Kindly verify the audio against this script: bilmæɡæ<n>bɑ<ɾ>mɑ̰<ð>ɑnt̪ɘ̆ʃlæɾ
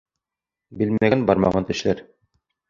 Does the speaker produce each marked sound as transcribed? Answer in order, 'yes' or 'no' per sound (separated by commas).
yes, yes, no